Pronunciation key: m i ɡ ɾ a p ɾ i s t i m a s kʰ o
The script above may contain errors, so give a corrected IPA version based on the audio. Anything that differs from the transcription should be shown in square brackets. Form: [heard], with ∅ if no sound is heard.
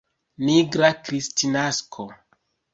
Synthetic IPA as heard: [n] i ɡ ɾ a [k] ɾ i s t i [n] a s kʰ o